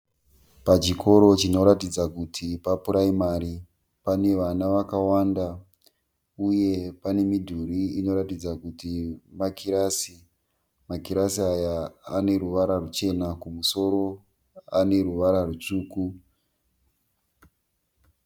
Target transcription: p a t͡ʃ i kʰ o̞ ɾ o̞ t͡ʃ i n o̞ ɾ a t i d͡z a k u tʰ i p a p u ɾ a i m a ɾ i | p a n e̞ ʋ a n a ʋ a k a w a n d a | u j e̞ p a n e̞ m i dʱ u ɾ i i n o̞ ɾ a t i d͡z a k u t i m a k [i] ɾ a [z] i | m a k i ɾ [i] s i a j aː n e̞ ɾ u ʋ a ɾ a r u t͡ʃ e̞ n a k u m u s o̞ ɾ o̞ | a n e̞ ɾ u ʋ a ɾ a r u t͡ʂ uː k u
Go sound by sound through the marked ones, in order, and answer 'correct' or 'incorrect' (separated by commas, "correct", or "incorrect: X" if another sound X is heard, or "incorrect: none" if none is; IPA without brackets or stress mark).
correct, incorrect: s, incorrect: a